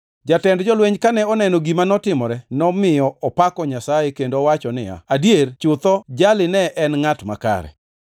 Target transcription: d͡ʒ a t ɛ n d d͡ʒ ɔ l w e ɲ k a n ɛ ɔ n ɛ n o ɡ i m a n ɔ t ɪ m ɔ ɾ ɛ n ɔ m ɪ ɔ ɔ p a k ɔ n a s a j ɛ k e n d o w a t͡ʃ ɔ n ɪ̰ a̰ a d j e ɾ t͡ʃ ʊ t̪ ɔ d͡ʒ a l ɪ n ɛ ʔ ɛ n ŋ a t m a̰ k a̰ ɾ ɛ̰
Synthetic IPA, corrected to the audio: d͡ʒ a t ɛ n d d͡ʒ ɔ l w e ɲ k a n ɛ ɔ n ɛ n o ɡ i m a n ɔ t ɪ m ɔ ɾ ɛ n ɔ m ɪ ɔ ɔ p a k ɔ ɲ a s a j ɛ k e n d o w a t͡ʃ ɔ n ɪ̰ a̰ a d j e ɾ t͡ʃ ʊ t̪ ɔ d͡ʒ a l ɪ n ɛ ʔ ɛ n ŋ a t m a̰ k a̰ ɾ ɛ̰